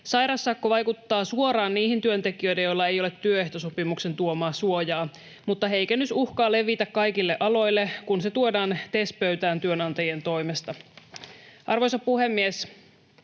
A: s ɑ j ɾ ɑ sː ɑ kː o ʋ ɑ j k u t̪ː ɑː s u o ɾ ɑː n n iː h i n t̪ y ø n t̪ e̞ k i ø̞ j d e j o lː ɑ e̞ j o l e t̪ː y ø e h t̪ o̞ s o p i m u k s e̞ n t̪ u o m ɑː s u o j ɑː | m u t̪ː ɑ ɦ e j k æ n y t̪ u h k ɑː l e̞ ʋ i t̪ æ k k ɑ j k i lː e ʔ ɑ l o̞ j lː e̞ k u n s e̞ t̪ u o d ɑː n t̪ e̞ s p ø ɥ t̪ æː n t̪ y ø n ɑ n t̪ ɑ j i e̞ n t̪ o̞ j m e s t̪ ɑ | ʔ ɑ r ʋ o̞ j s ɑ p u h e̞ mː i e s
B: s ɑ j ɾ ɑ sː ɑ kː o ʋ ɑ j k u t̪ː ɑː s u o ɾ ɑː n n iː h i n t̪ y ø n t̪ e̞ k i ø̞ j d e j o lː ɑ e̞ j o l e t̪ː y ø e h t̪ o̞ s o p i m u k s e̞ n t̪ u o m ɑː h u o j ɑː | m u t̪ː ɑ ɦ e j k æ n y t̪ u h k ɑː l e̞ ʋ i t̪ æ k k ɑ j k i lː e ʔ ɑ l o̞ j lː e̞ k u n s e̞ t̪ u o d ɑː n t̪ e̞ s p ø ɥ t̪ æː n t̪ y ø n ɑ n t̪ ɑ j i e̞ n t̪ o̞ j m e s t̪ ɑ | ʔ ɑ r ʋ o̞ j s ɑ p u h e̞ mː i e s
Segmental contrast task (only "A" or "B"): A